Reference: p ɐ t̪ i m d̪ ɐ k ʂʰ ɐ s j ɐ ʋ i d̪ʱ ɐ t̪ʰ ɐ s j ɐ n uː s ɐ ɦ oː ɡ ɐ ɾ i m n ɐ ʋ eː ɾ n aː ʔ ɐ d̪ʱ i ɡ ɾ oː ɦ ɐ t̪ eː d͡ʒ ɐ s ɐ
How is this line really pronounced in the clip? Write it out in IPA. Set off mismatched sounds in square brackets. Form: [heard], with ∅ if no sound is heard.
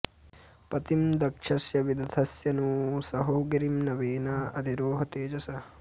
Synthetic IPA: p ɐ t̪ i m d̪ ɐ k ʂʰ ɐ s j ɐ ʋ i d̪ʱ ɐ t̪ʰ ɐ s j ɐ n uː s ɐ ɦ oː ɡ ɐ ɾ i m n ɐ ʋ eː [∅] n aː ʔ ɐ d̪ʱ i [∅] ɾ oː ɦ ɐ t̪ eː d͡ʒ ɐ s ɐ